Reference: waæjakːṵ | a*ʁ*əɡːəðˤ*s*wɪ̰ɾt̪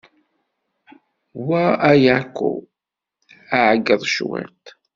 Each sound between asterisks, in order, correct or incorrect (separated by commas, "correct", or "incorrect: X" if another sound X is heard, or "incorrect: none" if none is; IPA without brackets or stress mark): incorrect: ʕ, incorrect: ʃ